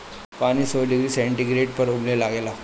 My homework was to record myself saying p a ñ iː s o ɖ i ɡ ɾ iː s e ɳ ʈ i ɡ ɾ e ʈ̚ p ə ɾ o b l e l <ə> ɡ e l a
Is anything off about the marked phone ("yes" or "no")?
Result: yes